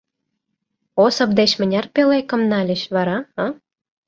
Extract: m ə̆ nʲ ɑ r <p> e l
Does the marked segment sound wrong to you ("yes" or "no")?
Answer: no